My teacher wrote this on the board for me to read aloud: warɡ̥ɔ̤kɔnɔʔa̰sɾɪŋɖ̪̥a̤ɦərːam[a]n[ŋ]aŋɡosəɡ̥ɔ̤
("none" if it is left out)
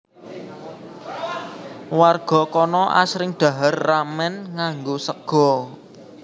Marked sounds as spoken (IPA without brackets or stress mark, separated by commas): ɛ, ŋ